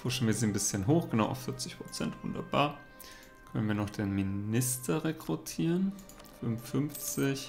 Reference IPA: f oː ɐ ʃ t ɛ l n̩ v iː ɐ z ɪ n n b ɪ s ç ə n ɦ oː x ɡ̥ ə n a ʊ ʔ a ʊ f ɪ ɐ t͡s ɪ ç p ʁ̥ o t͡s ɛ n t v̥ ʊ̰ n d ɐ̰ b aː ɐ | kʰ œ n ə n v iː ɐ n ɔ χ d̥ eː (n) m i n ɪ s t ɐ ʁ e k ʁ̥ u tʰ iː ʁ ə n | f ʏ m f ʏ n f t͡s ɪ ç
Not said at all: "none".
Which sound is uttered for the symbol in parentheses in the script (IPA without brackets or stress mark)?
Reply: n